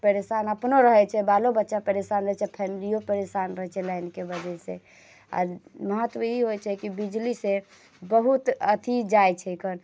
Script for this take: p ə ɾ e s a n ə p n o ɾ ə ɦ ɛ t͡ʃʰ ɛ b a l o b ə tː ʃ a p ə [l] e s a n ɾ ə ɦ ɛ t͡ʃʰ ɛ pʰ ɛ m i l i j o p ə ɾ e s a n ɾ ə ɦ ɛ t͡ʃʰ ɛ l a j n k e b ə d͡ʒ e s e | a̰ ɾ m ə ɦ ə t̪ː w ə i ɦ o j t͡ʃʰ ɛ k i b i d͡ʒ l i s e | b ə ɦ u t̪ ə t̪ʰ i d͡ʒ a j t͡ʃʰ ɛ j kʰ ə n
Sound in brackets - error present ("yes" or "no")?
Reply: yes